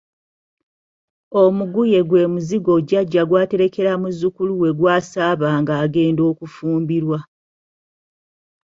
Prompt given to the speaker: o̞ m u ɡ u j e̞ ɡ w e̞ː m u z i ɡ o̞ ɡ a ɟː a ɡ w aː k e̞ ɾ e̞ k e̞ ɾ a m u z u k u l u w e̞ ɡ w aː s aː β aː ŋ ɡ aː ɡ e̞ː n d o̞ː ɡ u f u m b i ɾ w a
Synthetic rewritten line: o̞ m u ɡ u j e̞ ɡ w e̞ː m u z i ɡ o̞ ɟ a ɟː a ɡ w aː t e̞ ɾ e̞ k e̞ ɾ a m u z u k u l u w e̞ ɡ w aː s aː β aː ŋ ɡ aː ɡ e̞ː n d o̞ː k u f uː m b i ɾ w a